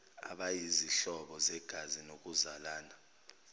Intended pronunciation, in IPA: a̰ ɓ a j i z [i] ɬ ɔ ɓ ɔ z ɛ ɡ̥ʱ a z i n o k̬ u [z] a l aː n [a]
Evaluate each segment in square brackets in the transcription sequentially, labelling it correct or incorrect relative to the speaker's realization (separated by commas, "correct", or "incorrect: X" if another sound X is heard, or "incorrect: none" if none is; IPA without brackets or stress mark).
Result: correct, correct, correct